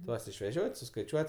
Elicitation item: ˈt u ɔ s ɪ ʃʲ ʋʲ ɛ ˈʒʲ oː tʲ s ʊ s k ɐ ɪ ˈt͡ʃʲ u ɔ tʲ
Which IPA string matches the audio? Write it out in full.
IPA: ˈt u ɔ s ɪ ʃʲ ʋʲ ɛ ˈʒʲ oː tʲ s ʊ s k ɐ ɪ ˈt͡ʃʲ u ɔ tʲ